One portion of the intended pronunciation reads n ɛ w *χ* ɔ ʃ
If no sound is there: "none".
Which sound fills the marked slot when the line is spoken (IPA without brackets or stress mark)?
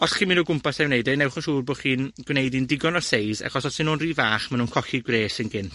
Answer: χ